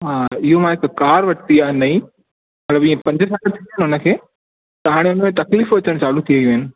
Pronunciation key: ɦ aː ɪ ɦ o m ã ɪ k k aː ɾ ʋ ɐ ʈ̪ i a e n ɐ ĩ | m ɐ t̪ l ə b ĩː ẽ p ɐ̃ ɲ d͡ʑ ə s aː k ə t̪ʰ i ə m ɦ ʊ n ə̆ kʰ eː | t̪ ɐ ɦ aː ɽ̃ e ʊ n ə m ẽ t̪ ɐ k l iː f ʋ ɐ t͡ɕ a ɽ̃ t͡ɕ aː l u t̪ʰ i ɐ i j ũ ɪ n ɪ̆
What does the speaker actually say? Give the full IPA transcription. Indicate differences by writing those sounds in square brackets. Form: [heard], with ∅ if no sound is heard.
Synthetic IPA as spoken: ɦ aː ɪ ɦ o m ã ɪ k k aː ɾ ʋ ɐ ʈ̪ i a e n ɐ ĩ | m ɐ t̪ l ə b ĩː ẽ p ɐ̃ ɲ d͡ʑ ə s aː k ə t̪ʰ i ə [n] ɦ ʊ n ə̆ kʰ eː | t̪ ɐ ɦ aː ɽ̃ e ʊ n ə m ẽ t̪ ɐ k l iː f ʋ ɐ t͡ɕ [ə] ɽ̃ t͡ɕ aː l u t̪ʰ i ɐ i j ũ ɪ n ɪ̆